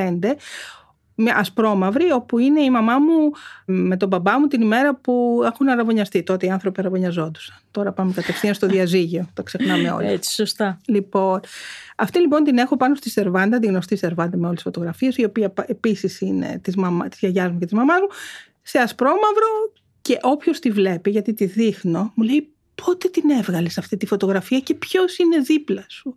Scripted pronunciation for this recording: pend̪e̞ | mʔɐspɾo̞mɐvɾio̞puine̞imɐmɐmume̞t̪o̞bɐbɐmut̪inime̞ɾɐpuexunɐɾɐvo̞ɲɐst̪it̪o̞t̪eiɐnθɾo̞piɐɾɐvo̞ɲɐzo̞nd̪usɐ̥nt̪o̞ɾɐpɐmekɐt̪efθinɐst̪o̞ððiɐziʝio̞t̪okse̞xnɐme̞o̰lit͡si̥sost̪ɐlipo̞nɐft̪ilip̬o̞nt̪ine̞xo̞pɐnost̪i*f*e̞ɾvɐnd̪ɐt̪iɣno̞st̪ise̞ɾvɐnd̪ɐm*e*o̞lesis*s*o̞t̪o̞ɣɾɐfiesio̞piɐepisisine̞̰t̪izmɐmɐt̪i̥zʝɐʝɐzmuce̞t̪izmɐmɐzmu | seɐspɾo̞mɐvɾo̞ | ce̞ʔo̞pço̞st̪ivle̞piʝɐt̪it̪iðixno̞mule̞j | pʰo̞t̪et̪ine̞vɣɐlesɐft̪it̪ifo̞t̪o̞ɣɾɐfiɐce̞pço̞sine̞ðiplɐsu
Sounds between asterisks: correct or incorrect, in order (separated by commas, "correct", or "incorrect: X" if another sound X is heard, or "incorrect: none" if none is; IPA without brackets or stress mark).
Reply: incorrect: s, correct, incorrect: f